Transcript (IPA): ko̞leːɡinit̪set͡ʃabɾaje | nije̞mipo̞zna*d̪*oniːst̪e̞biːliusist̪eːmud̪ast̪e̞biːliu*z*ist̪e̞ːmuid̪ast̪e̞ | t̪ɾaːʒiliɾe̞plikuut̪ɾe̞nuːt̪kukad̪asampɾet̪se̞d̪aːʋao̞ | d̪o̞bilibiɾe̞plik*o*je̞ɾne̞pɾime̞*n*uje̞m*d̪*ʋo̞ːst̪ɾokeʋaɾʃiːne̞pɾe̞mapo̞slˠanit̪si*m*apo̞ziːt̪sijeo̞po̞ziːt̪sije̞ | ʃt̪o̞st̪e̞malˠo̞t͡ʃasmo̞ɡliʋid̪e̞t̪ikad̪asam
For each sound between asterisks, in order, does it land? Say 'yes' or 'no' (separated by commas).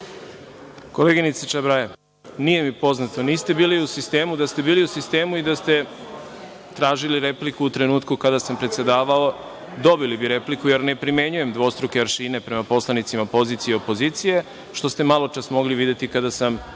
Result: no, no, no, no, yes, yes